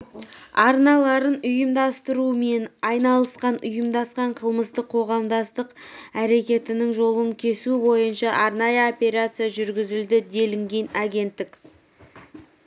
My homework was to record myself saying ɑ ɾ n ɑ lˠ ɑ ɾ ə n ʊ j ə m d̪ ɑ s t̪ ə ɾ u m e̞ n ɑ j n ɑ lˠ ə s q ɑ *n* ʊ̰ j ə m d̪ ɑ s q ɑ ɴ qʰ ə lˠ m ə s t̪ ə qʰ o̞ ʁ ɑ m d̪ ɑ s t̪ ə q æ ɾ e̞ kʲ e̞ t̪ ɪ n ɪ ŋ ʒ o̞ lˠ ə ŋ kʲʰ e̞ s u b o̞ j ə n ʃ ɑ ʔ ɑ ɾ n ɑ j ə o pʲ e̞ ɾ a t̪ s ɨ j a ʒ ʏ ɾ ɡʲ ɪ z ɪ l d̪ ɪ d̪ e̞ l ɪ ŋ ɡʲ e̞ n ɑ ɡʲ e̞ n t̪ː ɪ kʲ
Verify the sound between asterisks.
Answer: correct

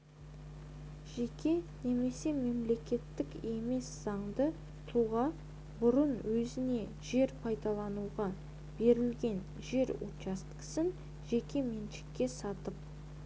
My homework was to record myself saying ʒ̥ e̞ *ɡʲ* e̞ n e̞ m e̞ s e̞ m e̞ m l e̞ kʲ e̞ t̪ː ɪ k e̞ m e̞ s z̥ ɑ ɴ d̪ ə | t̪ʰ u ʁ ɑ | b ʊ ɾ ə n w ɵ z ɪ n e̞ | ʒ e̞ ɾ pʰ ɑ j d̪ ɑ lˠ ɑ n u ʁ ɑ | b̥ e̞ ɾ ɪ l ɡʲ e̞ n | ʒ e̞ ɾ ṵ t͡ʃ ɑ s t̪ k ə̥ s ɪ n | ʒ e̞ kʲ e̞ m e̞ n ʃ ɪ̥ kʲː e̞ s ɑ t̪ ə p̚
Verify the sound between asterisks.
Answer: incorrect: kʲ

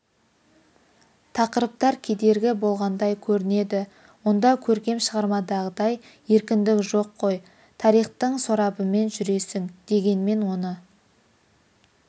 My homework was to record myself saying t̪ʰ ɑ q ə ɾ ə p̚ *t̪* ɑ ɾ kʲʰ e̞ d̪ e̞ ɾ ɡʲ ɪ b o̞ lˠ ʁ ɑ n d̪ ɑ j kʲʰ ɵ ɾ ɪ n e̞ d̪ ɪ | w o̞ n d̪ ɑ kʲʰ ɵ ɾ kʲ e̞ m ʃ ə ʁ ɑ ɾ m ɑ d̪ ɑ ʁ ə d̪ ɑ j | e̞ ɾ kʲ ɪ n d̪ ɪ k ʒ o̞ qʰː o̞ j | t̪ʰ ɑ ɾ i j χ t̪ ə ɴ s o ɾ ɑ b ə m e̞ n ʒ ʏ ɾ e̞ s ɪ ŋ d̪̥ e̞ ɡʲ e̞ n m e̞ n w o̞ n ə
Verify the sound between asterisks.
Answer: correct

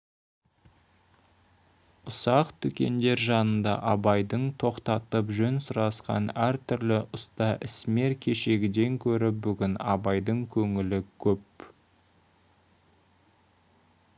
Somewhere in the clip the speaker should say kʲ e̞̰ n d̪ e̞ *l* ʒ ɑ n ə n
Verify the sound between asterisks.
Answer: incorrect: ɾ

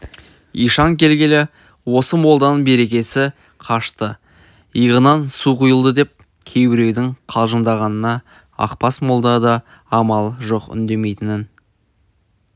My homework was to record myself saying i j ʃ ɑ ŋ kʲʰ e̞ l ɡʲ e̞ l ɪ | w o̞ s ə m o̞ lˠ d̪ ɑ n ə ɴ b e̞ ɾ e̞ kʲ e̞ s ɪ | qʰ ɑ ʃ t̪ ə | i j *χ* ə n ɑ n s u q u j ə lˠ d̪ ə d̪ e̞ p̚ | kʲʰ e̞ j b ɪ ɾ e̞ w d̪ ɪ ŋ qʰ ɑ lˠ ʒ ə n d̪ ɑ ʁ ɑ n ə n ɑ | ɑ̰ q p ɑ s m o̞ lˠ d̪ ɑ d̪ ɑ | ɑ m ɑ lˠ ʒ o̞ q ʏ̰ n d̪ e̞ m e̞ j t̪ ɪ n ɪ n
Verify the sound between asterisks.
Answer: incorrect: ʁ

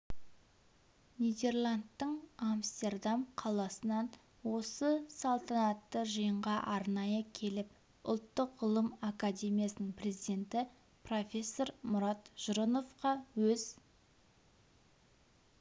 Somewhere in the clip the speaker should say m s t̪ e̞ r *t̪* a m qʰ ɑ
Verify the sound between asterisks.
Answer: incorrect: d̪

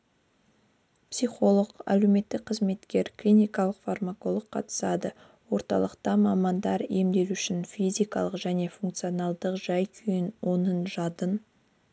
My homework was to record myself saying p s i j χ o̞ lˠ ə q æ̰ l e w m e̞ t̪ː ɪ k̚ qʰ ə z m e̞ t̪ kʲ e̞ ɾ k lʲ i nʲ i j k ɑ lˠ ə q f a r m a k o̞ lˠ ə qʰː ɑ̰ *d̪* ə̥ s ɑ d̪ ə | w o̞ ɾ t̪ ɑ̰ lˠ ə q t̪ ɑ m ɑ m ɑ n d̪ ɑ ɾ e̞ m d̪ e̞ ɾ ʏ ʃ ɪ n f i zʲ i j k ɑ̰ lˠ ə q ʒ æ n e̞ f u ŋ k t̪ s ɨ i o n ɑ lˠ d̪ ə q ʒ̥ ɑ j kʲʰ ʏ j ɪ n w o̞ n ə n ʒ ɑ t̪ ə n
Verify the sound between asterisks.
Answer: incorrect: t̪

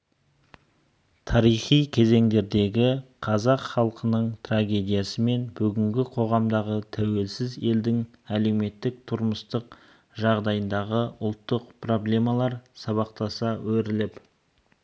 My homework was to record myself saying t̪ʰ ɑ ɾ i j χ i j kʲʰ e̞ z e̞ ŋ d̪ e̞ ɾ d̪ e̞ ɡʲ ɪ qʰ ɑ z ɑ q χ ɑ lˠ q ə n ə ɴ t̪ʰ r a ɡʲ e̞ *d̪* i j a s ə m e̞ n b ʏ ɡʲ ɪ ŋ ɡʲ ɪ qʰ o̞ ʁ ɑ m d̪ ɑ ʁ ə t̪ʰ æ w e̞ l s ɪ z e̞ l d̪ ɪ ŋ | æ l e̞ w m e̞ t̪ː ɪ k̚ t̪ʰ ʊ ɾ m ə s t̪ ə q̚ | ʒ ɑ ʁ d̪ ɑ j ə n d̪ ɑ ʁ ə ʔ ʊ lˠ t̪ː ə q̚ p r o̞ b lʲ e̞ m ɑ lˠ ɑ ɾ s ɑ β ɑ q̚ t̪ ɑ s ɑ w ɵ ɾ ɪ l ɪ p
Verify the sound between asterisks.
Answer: correct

